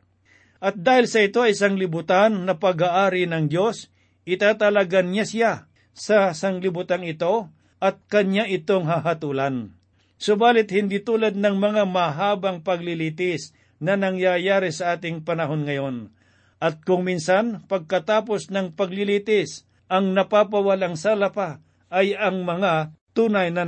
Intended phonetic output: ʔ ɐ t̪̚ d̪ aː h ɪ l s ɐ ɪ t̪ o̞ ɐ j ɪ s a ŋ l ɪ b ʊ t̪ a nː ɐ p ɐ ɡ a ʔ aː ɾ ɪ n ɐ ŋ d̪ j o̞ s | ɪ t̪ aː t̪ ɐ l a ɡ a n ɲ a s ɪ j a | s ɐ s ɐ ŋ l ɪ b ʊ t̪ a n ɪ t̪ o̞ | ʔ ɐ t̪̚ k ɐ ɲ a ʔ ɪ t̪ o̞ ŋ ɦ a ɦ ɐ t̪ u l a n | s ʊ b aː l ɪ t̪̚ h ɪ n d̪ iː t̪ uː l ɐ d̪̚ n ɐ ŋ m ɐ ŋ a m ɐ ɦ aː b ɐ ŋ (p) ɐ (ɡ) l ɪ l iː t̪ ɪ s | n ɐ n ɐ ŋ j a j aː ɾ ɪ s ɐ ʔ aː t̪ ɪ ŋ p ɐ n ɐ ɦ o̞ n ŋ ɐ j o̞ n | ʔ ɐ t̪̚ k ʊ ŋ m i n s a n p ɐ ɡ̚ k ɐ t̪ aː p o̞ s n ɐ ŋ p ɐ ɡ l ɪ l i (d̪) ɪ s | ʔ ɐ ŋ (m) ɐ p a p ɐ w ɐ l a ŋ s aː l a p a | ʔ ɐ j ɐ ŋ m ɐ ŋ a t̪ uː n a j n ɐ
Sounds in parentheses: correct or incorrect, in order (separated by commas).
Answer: correct, correct, incorrect, incorrect